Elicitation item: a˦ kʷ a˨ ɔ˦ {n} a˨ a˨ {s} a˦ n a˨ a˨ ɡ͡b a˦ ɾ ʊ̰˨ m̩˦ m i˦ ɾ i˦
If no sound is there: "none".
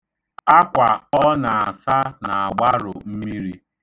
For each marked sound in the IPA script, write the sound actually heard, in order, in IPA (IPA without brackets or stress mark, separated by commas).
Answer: n, s